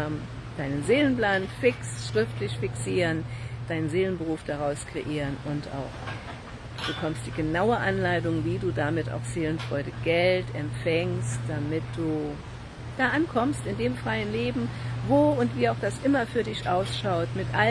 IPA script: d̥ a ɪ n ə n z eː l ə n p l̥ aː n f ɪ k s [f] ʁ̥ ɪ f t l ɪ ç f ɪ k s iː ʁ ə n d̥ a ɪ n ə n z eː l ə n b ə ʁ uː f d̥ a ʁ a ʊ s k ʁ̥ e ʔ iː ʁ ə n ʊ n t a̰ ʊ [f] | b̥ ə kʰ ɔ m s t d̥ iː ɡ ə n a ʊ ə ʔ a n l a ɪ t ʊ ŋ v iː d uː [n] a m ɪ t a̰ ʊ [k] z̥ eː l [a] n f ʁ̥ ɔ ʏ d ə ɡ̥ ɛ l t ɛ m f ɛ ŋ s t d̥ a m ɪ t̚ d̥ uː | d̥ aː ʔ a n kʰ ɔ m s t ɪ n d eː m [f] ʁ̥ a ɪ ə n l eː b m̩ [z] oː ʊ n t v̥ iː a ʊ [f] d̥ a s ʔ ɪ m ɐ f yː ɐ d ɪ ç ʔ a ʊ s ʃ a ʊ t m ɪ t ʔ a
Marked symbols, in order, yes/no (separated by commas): no, no, no, no, no, yes, no, no